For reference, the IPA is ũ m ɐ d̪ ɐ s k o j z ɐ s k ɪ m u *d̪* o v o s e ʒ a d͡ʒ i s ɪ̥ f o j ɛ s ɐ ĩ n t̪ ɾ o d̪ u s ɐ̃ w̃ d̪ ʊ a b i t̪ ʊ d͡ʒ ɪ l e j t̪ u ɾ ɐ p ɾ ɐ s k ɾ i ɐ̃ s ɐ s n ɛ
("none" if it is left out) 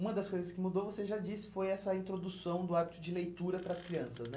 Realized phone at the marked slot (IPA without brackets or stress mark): d̪